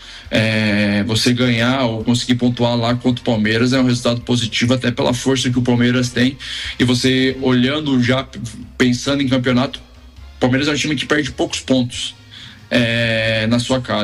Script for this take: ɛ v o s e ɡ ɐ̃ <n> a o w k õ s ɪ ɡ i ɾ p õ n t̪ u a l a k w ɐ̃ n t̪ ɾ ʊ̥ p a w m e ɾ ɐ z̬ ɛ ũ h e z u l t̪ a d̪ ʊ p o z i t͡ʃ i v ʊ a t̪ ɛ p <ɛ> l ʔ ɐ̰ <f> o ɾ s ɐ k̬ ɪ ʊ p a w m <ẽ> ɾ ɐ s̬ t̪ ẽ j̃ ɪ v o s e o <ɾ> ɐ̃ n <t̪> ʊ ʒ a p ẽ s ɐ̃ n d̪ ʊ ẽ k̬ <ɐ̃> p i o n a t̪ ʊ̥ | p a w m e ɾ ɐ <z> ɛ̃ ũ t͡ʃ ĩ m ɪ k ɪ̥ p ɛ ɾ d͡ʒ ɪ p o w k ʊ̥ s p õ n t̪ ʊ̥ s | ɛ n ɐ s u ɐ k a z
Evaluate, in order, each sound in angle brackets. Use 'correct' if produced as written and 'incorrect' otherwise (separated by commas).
incorrect, incorrect, correct, incorrect, incorrect, incorrect, correct, correct